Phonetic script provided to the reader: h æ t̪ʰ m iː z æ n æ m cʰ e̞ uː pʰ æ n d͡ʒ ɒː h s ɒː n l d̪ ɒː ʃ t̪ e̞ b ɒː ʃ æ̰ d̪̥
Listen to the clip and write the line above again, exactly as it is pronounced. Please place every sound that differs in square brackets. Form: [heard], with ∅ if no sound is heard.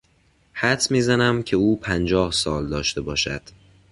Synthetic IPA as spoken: h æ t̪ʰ m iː z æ n æ m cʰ e̞ uː pʰ æ n d͡ʒ ɒː h s ɒː [∅] l d̪ ɒː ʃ t̪ e̞ b ɒː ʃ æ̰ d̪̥